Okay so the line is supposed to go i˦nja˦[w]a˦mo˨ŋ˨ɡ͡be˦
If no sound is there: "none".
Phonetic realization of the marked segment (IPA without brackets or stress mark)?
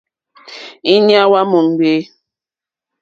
w